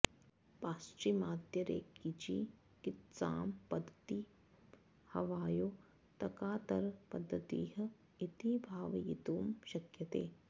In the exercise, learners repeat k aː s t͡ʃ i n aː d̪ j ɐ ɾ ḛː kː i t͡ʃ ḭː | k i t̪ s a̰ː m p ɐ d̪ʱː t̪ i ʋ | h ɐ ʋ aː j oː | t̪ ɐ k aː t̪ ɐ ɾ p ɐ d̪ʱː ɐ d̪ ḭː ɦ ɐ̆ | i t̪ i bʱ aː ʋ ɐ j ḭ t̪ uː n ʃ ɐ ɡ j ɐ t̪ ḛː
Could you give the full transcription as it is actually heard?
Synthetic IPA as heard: p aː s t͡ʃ i m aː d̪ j ɐ ɾ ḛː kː i t͡ʃ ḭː | k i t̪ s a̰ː m p ɐ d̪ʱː t̪ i | h ɐ ʋ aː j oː | t̪ ɐ k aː t̪ ɐ ɾ p ɐ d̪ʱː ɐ t̪ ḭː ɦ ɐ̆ | i t̪ i bʱ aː ʋ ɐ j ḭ t̪ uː m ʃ ɐ k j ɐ t̪ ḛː